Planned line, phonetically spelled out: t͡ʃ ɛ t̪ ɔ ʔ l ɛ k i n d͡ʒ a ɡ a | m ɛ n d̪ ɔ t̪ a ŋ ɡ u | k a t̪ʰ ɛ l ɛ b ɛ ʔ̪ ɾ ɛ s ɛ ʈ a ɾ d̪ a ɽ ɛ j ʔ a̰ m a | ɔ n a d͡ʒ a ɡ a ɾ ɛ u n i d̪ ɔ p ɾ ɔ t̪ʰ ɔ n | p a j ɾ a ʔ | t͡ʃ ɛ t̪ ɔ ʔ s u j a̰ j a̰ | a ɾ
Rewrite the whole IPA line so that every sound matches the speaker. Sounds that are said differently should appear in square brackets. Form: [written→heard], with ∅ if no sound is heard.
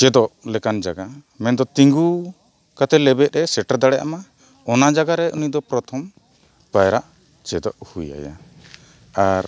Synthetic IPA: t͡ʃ ɛ [t̪→d̪] ɔ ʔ l ɛ k [i→a] n d͡ʒ a ɡ a | m ɛ n d̪ ɔ t̪ [a→i] ŋ ɡ u | k a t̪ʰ ɛ l ɛ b ɛ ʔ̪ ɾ ɛ s ɛ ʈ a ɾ d̪ a ɽ ɛ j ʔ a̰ m a | ɔ n a d͡ʒ a ɡ a ɾ ɛ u n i d̪ ɔ p ɾ ɔ t̪ʰ ɔ [n→m] | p a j ɾ a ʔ | t͡ʃ ɛ [t̪→d̪] ɔ ʔ [s→h] u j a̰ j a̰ | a ɾ

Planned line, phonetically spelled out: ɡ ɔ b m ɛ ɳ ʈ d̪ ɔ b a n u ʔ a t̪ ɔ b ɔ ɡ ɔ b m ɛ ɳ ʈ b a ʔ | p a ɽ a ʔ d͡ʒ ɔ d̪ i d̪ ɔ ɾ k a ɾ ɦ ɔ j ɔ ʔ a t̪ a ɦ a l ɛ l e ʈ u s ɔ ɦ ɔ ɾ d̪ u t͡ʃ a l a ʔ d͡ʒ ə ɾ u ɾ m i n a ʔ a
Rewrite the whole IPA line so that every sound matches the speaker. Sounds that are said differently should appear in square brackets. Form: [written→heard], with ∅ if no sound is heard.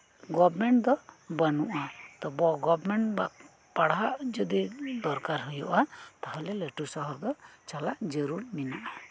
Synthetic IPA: ɡ ɔ b m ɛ ɳ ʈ d̪ ɔ b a n u ʔ a t̪ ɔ b ɔ ɡ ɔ b m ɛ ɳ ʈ b a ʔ | p a ɽ a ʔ d͡ʒ ɔ d̪ i d̪ ɔ ɾ k a ɾ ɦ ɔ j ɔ ʔ a t̪ a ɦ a l ɛ l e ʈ u s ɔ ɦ ɔ ɾ d̪ [u→ɔ] t͡ʃ a l a ʔ d͡ʒ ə ɾ u ɾ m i n a ʔ a

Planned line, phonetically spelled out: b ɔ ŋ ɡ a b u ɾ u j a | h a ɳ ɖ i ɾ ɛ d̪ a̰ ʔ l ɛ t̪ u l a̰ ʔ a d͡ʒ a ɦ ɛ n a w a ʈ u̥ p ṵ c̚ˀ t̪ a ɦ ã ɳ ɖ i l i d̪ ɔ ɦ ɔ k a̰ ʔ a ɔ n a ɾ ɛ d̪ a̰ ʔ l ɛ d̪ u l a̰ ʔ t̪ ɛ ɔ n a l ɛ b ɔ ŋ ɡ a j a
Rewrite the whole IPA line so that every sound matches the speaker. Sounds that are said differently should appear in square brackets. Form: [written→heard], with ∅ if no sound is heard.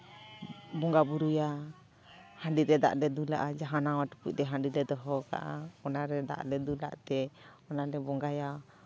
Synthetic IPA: b ɔ ŋ ɡ a b u ɾ u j a | h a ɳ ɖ i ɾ ɛ d̪ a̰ ʔ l ɛ [t̪→d̪] u l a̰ ʔ a d͡ʒ a ɦ [ɛ→a] n a w a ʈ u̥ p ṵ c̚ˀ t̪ [a→ɛ] ɦ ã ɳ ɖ i l [i→ɛ] d̪ ɔ ɦ ɔ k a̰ ʔ a ɔ n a ɾ ɛ d̪ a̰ ʔ l ɛ d̪ u l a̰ ʔ t̪ ɛ ɔ n a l ɛ b ɔ ŋ ɡ a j a

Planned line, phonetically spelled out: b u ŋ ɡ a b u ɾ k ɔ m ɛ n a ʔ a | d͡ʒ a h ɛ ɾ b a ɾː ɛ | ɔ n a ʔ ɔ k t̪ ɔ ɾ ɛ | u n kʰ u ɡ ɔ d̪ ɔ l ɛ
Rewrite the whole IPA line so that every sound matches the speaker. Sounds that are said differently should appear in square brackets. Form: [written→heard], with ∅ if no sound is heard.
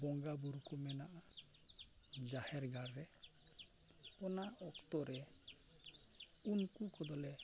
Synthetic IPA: b [u→ɔ] ŋ ɡ a b u ɾ k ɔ m ɛ n a ʔ a | d͡ʒ a h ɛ ɾ [b→ɡ] a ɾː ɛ | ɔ n a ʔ ɔ k t̪ ɔ ɾ ɛ | u n [kʰ→k] u [ɡ→k] ɔ d̪ ɔ l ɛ

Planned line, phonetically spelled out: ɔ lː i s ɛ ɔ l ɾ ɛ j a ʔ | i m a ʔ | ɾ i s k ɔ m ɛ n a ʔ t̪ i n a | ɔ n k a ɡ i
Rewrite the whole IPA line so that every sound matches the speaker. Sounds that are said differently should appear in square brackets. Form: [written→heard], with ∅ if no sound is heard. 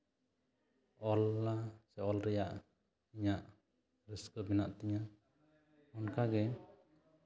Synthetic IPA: ɔ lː [i→a] s ɛ ɔ l ɾ ɛ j a ʔ | i [m→ɲ] a ʔ | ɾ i s k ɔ [m→b] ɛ n a ʔ t̪ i [n→ɲ] a | ɔ n k a ɡ [i→ɛ]

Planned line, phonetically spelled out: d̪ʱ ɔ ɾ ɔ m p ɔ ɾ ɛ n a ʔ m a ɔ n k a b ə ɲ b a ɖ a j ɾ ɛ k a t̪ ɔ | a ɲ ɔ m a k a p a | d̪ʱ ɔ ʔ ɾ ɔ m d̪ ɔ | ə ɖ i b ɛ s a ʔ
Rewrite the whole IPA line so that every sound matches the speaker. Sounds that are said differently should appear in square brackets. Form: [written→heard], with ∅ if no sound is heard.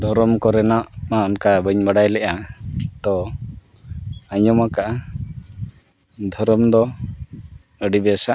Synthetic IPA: d̪ʱ ɔ ɾ ɔ m [p→k] ɔ ɾ ɛ n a ʔ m a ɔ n k a b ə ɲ b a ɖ a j [ɾ→l] ɛ [k→ʔ] a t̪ ɔ | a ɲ ɔ m a k a [p→ʔ] a | d̪ʱ ɔ [ʔ→∅] ɾ ɔ m d̪ ɔ | ə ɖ i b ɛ s a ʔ

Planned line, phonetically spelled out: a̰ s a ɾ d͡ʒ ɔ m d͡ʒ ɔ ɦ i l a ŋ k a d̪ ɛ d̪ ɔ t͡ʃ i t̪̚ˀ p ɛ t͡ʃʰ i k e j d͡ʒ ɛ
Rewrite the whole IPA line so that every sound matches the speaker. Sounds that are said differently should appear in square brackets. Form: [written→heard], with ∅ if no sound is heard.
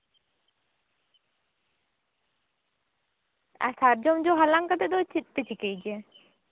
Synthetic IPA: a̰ s a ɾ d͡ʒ ɔ m d͡ʒ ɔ ɦ [i→a] l a ŋ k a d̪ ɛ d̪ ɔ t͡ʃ i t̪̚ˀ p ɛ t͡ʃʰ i k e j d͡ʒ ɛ

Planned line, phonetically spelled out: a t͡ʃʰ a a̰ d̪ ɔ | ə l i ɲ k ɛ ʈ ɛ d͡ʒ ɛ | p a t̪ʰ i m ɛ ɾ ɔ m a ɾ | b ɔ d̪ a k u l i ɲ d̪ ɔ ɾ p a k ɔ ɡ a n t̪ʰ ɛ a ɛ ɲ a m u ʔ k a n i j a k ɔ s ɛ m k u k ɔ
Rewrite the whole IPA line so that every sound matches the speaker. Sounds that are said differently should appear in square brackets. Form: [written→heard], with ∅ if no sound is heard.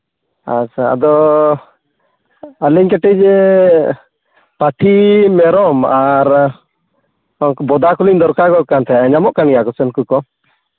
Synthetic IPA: a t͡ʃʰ a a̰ d̪ ɔ | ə l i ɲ k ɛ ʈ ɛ d͡ʒ ɛ | p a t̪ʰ i m ɛ ɾ ɔ m a ɾ | b ɔ d̪ a k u l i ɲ d̪ ɔ ɾ [p→k] a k ɔ [ɡ→k] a n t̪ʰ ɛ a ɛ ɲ a m [u→ɔ] ʔ k a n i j a k ɔ s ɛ [m→n] k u k ɔ

